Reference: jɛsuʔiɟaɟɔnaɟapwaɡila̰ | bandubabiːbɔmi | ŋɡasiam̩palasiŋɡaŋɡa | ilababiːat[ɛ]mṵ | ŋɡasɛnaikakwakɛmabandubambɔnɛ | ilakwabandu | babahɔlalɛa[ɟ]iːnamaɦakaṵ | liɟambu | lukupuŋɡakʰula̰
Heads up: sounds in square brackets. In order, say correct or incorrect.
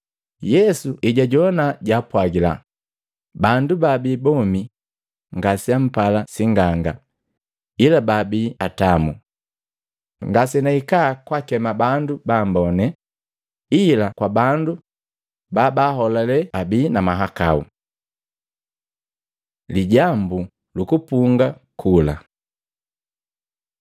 incorrect, incorrect

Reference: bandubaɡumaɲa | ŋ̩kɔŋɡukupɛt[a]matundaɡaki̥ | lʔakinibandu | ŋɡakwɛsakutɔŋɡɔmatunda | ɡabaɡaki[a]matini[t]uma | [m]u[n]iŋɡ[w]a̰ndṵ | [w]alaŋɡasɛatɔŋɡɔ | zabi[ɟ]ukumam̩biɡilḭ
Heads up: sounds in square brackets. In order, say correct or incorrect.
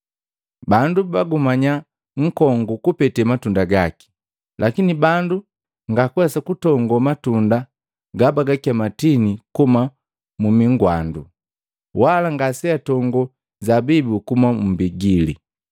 incorrect, correct, incorrect, correct, incorrect, correct, correct, incorrect

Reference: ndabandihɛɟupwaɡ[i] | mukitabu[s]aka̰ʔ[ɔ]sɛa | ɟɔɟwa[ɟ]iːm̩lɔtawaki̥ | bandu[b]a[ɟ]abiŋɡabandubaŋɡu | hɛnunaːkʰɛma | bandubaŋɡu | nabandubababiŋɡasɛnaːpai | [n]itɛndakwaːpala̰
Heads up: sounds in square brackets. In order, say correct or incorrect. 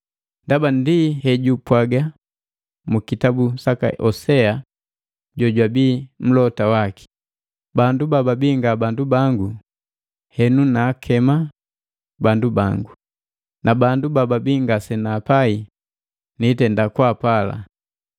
incorrect, correct, correct, incorrect, correct, incorrect, correct

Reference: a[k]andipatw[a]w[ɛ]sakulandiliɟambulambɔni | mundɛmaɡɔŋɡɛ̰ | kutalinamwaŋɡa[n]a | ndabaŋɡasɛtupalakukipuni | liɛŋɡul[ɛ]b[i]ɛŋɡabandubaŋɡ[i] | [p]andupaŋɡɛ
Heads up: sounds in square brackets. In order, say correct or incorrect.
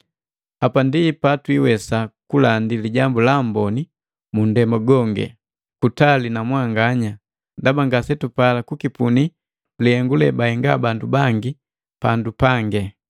incorrect, incorrect, correct, incorrect, correct, incorrect, correct, correct

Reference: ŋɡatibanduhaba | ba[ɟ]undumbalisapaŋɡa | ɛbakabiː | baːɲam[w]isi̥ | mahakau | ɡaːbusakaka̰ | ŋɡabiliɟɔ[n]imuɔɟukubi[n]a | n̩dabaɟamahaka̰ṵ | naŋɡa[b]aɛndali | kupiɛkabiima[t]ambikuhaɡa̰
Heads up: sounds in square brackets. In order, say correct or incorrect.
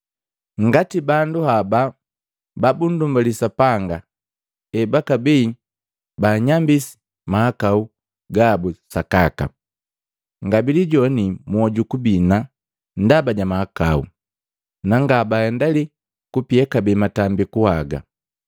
incorrect, incorrect, correct, correct, correct, correct

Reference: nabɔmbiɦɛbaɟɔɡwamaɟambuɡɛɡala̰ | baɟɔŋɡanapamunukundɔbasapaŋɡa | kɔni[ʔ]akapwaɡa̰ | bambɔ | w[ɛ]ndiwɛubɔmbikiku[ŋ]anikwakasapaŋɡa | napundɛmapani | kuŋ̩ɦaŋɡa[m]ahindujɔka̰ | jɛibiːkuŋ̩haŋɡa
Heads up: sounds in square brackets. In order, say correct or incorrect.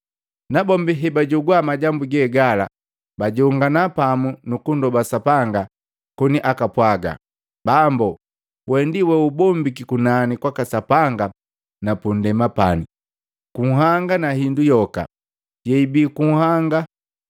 correct, correct, incorrect, incorrect

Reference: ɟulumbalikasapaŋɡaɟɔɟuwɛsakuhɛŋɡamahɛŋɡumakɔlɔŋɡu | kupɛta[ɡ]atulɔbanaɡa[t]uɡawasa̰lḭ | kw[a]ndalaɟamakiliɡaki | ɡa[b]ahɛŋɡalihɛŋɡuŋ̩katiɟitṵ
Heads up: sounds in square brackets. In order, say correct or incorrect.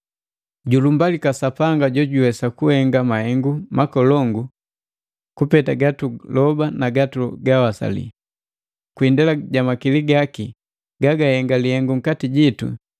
correct, correct, incorrect, incorrect

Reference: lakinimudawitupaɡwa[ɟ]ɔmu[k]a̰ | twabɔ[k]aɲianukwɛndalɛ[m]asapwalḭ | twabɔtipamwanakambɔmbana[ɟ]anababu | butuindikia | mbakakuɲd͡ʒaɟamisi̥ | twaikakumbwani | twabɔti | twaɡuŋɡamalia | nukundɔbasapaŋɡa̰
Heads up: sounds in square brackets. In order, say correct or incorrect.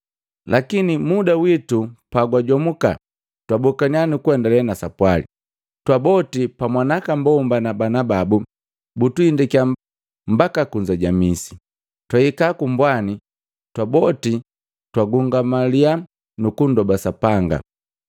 correct, correct, correct, incorrect, incorrect

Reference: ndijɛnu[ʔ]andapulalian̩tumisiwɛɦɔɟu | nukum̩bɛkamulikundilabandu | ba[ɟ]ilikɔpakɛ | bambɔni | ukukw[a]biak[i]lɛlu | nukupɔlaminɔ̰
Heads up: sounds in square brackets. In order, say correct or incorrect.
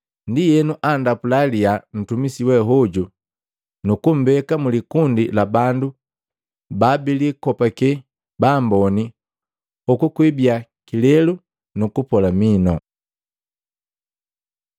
correct, incorrect, incorrect, correct

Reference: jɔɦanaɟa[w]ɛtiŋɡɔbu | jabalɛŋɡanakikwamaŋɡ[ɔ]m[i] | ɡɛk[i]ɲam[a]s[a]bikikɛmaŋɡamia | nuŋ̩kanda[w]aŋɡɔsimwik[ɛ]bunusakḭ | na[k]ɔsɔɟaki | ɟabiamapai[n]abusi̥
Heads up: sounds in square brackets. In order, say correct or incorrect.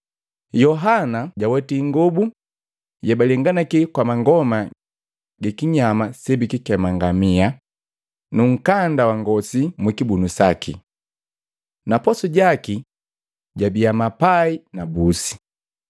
correct, correct, incorrect, correct, correct, incorrect, correct, incorrect, incorrect, correct

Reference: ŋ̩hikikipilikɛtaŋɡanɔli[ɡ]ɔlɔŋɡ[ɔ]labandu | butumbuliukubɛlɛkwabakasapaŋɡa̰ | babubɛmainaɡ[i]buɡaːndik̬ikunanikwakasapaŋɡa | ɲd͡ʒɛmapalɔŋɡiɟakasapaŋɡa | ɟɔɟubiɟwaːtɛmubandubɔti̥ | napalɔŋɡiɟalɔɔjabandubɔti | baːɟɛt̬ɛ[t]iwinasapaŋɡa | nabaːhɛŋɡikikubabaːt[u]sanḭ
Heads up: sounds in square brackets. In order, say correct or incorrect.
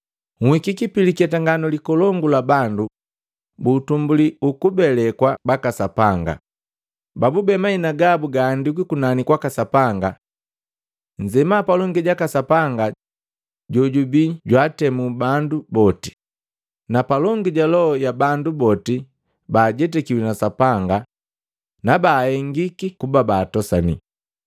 incorrect, incorrect, incorrect, incorrect, incorrect

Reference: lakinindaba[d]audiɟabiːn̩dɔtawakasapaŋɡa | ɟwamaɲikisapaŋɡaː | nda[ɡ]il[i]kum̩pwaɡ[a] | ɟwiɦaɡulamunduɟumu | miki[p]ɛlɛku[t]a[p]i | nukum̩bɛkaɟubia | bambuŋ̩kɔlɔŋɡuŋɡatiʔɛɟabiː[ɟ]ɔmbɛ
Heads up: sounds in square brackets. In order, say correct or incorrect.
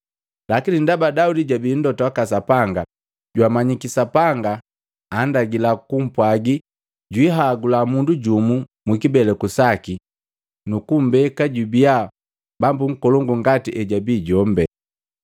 correct, correct, incorrect, incorrect, incorrect, incorrect, incorrect, correct

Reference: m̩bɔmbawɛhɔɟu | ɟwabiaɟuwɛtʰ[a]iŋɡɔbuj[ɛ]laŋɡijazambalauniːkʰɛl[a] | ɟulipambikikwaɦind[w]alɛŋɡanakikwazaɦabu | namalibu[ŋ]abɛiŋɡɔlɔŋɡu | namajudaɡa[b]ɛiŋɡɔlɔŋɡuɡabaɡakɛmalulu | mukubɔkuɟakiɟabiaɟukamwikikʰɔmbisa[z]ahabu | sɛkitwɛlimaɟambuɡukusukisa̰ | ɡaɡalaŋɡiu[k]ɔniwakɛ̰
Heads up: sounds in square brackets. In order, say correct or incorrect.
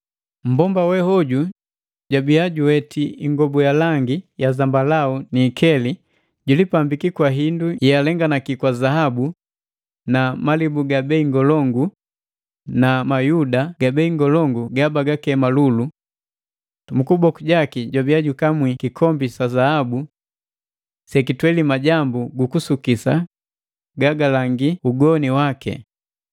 incorrect, incorrect, incorrect, incorrect, incorrect, correct, correct, incorrect

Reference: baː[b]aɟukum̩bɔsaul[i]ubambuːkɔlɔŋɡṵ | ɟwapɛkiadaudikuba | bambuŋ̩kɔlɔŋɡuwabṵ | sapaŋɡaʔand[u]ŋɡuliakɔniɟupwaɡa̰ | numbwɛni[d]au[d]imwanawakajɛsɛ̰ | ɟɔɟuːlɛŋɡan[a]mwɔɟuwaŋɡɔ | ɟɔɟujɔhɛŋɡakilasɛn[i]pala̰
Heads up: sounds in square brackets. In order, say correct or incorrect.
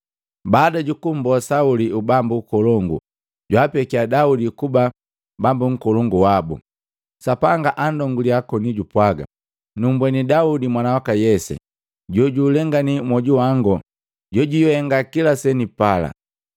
incorrect, correct, incorrect, correct, correct, incorrect, correct

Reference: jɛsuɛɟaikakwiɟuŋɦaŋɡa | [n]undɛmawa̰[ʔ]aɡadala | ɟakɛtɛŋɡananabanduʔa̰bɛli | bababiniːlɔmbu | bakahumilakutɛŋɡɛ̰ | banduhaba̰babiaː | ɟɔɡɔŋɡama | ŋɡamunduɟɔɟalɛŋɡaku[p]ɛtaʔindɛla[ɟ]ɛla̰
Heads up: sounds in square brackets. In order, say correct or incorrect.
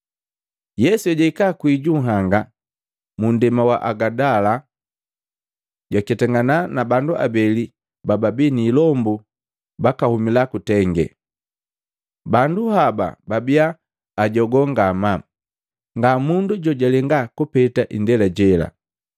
incorrect, correct, correct, correct

